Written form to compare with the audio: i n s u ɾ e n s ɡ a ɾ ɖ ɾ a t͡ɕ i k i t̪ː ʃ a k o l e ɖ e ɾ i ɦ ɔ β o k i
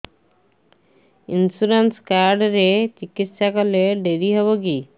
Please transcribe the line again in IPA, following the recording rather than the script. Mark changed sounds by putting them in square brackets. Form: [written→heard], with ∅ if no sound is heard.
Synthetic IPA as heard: i n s u ɾ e n s [ɡ→k] a ɾ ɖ ɾ [a→e] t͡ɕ i k i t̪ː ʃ a k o l e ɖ e ɾ i ɦ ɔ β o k i